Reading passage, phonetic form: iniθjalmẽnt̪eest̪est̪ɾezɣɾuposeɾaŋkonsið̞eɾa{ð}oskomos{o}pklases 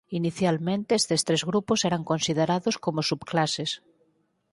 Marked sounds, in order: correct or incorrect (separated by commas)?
correct, incorrect